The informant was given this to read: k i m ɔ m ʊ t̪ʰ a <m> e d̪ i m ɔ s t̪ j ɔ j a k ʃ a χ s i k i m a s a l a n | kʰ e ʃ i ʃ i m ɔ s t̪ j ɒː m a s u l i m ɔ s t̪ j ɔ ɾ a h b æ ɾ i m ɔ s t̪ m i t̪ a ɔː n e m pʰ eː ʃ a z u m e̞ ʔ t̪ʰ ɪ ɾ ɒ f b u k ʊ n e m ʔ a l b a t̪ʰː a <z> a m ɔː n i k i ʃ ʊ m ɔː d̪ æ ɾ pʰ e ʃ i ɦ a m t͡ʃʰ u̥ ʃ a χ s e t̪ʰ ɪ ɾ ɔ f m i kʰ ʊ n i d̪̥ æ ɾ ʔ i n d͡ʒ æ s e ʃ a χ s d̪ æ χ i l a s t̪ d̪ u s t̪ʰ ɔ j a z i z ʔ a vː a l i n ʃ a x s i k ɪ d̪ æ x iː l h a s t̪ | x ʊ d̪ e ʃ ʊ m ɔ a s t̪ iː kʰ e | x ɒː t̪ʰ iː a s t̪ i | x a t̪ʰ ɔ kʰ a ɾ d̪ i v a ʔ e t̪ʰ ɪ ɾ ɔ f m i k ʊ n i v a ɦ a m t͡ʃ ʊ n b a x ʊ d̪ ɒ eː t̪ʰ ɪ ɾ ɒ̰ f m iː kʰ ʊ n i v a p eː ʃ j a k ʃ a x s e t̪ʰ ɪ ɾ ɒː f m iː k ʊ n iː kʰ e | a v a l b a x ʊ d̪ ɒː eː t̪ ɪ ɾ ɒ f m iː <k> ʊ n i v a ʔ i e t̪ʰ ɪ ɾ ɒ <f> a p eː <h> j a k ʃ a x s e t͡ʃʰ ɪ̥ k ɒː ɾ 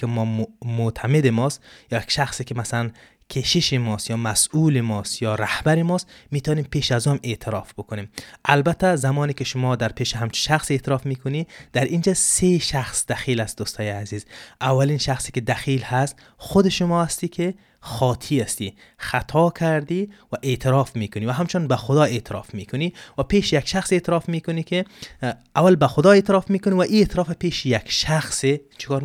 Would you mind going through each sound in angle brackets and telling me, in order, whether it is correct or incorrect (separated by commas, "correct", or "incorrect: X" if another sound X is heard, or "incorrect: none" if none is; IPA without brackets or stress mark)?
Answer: correct, correct, correct, correct, incorrect: ʃ